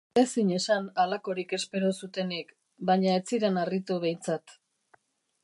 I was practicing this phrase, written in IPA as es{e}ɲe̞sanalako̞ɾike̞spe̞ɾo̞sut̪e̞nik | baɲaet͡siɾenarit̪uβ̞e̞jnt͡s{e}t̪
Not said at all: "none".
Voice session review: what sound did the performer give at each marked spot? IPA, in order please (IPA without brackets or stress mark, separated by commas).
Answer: i, a